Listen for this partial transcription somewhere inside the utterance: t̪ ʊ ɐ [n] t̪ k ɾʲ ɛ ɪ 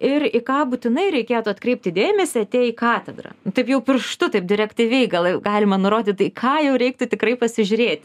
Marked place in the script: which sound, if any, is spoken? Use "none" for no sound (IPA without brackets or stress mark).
none